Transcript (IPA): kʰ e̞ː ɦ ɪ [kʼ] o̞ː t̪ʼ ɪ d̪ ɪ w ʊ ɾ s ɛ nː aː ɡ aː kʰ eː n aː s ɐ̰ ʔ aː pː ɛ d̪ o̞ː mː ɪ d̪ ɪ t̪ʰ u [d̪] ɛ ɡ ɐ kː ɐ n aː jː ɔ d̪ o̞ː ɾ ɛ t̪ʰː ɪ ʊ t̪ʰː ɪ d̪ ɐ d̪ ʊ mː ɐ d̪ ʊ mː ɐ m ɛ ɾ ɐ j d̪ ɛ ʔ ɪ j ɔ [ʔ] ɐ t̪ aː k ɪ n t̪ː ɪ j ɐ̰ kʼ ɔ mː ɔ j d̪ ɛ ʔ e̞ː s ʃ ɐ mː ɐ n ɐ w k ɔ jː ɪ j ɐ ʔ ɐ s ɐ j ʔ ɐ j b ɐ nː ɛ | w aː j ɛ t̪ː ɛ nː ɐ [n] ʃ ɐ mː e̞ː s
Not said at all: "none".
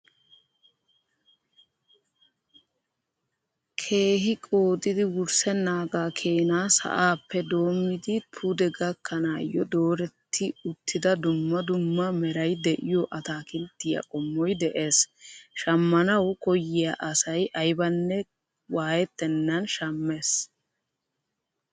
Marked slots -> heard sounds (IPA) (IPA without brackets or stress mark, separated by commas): kʼ, d̪, ʔ, n